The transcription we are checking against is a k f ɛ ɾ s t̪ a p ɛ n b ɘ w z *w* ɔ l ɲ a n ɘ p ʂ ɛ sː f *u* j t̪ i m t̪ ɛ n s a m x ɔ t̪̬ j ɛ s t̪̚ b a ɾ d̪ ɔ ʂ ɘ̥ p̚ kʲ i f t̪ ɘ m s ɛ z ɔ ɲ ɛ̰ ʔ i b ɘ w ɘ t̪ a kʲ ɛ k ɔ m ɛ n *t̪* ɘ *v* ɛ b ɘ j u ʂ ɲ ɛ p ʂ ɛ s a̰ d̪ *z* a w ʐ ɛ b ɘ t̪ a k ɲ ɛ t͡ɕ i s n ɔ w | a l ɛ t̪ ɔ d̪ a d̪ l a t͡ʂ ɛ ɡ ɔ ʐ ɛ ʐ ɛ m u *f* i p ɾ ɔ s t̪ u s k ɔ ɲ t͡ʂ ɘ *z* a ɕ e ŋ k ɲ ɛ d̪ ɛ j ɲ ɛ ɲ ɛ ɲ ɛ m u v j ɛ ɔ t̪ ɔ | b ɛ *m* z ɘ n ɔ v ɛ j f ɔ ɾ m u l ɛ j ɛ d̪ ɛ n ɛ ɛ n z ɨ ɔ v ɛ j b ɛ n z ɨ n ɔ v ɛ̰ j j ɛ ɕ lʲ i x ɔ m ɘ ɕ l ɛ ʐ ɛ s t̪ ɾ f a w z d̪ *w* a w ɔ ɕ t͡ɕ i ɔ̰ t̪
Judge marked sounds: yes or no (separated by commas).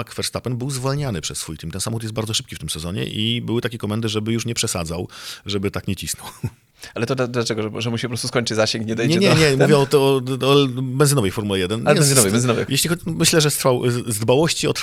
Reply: no, yes, no, no, yes, no, yes, no, no